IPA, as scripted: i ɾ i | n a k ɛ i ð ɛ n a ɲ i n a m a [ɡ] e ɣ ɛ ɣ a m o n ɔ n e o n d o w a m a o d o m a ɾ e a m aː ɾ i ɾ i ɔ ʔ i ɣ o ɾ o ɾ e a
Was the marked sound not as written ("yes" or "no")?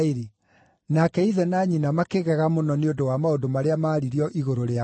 yes